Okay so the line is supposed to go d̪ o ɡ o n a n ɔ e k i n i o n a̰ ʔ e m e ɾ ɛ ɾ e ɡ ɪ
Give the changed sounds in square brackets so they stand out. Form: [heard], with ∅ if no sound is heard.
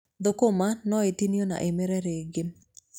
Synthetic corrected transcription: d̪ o [k] o [m] a n ɔ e [t] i n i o n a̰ ʔ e m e ɾ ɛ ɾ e ɡ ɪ